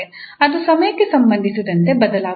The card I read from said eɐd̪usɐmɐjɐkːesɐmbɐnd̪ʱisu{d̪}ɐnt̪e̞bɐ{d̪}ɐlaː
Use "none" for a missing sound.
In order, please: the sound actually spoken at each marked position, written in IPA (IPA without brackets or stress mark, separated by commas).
d̪, d̪